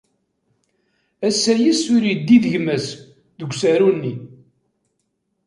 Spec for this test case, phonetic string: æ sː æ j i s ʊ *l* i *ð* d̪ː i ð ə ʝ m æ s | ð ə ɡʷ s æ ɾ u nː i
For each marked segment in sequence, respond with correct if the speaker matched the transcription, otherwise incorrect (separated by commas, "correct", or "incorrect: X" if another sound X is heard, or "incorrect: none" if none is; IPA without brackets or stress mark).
incorrect: ɾ, incorrect: none